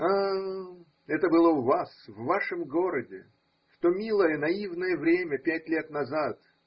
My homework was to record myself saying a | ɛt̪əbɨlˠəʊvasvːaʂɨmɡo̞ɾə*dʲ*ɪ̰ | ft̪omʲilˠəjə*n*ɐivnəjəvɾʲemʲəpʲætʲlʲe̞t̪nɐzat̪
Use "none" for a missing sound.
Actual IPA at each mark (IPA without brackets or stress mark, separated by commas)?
dʲ, n